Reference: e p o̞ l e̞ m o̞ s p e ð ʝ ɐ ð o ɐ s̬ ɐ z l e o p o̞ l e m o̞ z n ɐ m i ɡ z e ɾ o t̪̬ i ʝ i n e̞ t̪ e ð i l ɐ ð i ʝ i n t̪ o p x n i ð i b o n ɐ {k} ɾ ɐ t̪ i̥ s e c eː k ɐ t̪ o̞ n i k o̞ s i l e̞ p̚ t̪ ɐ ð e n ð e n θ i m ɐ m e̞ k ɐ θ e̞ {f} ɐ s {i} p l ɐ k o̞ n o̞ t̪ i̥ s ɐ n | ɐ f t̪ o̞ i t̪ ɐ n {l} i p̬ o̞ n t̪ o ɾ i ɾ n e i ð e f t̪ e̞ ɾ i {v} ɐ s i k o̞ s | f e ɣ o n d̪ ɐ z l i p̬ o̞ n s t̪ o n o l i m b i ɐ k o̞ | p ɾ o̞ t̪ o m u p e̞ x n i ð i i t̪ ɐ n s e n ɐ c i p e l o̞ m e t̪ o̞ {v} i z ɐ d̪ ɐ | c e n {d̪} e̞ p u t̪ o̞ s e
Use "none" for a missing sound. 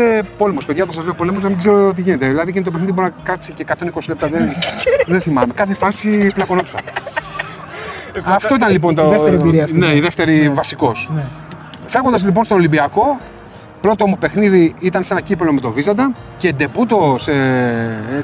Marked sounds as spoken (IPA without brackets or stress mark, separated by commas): k, f, i, l, v, v, d̪